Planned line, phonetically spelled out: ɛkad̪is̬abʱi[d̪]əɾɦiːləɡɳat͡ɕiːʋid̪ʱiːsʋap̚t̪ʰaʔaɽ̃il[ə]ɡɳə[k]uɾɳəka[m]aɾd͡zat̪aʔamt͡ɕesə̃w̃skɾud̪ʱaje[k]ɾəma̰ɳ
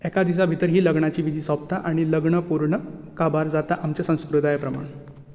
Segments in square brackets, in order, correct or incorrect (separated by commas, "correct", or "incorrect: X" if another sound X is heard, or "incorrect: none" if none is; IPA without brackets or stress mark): incorrect: t̪, correct, incorrect: p, incorrect: b, incorrect: p